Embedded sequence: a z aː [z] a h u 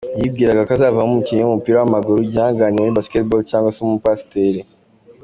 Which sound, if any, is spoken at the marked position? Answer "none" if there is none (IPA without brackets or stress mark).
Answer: v